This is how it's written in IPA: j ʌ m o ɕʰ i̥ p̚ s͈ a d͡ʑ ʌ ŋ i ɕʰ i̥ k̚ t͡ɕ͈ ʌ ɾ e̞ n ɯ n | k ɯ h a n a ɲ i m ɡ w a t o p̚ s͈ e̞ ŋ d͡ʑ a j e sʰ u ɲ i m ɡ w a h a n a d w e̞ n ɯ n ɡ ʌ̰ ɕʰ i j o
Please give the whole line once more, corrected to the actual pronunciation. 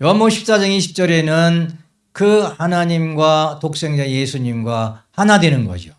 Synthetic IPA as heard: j ʌ m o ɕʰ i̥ p̚ s͈ a d͡ʑ ʌ ŋ i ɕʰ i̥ p̚ t͡ɕ͈ ʌ ɾ e̞ n ɯ n | k ɯ h a n a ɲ i m ɡ w a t o k̚ s͈ e̞ ŋ d͡ʑ a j e sʰ u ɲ i m ɡ w a h a n a d w e̞ n ɯ n ɡ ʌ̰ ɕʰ i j o